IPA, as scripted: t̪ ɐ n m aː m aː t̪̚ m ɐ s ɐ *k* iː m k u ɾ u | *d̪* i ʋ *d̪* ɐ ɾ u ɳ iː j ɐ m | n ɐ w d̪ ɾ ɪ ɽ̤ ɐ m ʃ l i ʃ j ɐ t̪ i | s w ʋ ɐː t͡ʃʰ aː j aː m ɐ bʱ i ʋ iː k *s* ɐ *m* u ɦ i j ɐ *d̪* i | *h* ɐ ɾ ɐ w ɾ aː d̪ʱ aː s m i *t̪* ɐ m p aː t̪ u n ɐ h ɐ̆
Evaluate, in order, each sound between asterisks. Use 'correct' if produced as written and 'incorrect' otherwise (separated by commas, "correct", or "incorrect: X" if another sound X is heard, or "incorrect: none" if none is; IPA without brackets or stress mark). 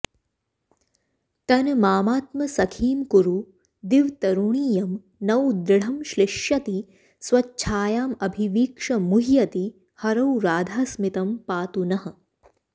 incorrect: kʰ, correct, incorrect: t̪, incorrect: ʂ, correct, incorrect: t̪, correct, correct